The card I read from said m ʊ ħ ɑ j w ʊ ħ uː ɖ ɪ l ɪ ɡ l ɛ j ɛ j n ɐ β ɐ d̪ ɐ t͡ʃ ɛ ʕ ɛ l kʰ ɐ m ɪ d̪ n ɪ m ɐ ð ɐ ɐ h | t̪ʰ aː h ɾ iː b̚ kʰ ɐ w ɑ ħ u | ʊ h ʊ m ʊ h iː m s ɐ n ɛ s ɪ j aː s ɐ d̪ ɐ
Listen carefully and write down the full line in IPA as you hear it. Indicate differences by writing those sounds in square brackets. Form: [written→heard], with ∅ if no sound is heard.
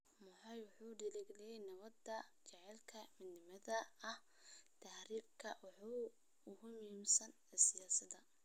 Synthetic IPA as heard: m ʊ ħ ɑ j w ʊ ħ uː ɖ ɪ l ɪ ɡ l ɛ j ɛ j n ɐ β ɐ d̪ ɐ t͡ʃ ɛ ʕ ɛ l kʰ ɐ m ɪ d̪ n ɪ m ɐ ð ɐ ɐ h | t̪ʰ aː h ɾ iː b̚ kʰ ɐ w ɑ ħ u | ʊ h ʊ m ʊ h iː m s ɐ n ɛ s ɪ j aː s ɐ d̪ ɐ

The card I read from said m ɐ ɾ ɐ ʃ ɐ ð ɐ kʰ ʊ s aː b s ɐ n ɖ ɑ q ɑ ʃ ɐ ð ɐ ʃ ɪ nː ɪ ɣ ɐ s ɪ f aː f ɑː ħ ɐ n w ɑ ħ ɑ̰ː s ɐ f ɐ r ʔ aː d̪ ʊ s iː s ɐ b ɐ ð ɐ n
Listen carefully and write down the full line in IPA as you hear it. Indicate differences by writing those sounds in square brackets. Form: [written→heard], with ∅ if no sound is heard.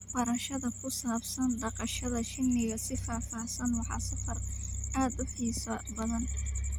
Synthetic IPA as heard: [m→b] ɐ ɾ ɐ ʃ ɐ ð ɐ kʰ ʊ s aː b s ɐ n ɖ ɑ q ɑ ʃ ɐ ð ɐ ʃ ɪ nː ɪ ɣ ɐ s ɪ f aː f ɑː [ħ→s] ɐ n w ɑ ħ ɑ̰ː s ɐ f ɐ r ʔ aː d̪ ʊ [s→ħ] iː s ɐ b ɐ ð ɐ n

